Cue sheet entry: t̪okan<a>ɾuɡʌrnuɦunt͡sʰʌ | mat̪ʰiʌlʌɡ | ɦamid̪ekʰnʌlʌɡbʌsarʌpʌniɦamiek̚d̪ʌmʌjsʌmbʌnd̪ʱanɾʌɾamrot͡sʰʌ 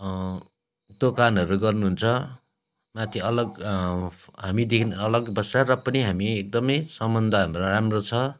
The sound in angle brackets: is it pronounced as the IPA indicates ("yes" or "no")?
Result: no